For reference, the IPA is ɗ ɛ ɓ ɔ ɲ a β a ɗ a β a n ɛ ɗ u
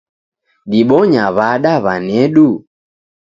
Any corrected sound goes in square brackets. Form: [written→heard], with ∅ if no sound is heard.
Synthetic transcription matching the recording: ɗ [ɛ→i] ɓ ɔ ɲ a β a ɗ a β a n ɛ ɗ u